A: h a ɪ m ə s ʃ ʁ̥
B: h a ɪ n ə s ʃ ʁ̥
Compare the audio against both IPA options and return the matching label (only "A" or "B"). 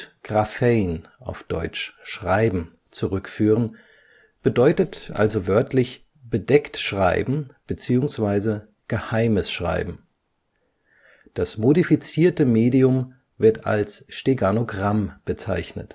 A